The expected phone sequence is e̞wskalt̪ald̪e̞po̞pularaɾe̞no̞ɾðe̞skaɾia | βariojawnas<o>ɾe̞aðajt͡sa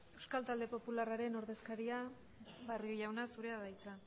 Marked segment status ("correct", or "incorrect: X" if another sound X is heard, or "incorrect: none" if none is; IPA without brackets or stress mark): incorrect: u